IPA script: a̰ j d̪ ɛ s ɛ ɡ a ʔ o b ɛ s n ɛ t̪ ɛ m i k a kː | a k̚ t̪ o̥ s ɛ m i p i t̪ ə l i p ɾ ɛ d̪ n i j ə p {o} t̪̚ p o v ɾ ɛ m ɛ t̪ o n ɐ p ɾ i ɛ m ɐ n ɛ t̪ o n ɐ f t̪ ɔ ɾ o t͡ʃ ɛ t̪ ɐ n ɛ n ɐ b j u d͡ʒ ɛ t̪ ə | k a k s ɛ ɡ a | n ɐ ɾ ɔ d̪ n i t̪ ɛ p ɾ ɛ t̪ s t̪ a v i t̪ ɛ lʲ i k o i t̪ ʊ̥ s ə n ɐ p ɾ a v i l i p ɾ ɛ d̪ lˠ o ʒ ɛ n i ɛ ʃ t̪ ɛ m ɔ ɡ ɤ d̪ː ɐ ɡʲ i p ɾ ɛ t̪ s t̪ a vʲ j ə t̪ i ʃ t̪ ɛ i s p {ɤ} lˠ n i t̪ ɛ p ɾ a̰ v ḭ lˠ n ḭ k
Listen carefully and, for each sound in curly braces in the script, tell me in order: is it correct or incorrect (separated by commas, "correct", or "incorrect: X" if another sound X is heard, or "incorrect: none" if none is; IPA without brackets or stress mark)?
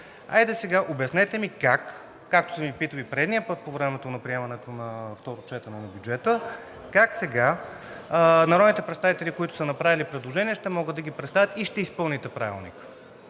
incorrect: ɤ, correct